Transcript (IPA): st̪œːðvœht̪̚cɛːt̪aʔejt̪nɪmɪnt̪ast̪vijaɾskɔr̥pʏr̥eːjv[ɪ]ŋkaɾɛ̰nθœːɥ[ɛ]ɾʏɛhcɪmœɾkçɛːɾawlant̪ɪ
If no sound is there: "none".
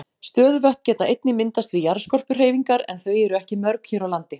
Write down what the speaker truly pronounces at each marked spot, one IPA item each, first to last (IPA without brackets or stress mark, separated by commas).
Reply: i, ɛ